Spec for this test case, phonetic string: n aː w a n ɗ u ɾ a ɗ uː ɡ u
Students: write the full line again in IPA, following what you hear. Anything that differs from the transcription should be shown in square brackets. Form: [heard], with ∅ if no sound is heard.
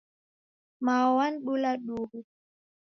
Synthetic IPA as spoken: [m] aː w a n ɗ u [l] a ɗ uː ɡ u